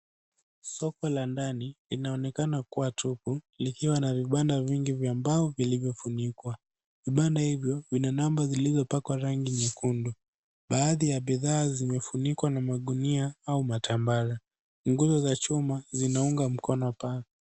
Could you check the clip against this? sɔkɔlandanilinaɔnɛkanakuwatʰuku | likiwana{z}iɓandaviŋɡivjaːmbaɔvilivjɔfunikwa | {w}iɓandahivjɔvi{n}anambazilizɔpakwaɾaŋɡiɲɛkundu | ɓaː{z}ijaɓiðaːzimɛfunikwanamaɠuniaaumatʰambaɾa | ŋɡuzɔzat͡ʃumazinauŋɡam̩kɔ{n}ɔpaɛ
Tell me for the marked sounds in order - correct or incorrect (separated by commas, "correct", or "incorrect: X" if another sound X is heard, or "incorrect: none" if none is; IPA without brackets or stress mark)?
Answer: incorrect: v, incorrect: v, correct, incorrect: ð, correct